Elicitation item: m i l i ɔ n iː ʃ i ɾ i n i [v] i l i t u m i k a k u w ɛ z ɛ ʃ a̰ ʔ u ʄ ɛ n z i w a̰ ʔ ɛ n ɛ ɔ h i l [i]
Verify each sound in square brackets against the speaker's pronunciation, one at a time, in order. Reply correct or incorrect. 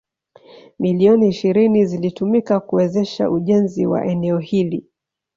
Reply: incorrect: z, correct

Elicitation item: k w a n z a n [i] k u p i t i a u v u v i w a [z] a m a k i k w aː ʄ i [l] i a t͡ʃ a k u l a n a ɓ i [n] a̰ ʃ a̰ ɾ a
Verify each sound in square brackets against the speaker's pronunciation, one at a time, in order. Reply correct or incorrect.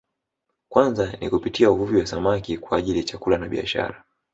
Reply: correct, incorrect: s, correct, incorrect: none

